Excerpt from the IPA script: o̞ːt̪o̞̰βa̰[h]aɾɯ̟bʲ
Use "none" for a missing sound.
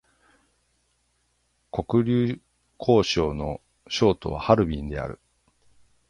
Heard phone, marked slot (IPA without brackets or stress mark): h